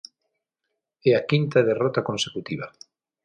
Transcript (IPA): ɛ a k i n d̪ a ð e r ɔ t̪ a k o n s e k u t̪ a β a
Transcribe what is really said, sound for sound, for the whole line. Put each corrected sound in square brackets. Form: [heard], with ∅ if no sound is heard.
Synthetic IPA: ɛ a k i n [t̪] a ð e r ɔ t̪ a k o n s e k u t̪ [i] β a